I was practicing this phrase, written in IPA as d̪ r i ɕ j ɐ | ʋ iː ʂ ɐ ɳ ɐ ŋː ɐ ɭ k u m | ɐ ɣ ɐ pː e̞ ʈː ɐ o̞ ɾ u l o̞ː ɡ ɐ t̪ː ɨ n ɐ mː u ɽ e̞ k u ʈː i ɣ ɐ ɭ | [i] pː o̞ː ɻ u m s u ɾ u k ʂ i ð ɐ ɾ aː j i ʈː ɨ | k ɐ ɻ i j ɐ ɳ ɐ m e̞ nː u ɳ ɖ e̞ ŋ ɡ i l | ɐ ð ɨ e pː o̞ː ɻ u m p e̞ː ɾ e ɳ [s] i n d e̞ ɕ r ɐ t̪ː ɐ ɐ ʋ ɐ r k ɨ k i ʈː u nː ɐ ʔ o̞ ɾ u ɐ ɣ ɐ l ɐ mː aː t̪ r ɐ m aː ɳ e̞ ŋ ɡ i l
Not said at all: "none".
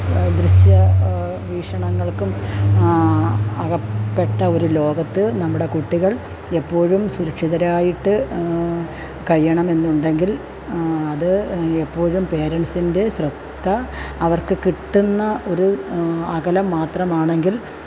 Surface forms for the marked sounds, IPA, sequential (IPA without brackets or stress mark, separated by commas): e, s